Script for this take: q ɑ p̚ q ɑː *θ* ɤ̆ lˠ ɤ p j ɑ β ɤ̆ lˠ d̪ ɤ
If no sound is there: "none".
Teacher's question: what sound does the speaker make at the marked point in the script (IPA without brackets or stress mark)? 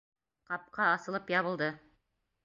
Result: s